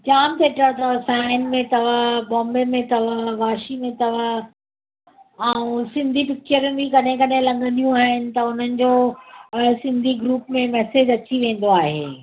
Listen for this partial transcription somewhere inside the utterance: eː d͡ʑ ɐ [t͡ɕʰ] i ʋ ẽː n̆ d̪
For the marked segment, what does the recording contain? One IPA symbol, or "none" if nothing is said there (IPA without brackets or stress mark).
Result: t͡ɕ